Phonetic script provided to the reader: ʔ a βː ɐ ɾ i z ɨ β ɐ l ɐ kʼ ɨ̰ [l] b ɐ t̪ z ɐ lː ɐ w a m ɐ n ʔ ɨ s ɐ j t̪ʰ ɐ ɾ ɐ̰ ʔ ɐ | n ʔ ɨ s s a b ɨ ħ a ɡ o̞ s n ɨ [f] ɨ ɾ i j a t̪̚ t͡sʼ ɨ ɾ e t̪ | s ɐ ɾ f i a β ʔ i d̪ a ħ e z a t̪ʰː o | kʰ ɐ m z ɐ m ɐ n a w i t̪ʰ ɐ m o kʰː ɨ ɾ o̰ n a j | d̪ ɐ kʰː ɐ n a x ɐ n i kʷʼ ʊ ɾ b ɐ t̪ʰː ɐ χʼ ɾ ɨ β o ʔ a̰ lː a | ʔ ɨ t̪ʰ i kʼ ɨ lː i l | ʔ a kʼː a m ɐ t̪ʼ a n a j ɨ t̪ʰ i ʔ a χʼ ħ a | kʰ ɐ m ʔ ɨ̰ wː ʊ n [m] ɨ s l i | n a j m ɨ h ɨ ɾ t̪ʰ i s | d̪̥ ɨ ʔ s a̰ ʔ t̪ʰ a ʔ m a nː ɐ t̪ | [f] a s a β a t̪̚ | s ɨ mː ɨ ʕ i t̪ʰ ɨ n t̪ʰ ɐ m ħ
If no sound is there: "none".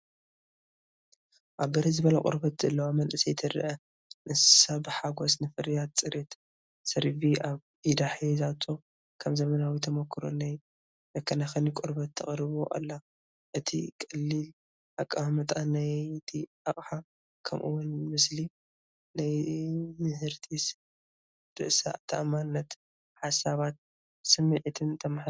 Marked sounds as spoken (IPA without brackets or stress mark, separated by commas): ɾ, f, m, ħ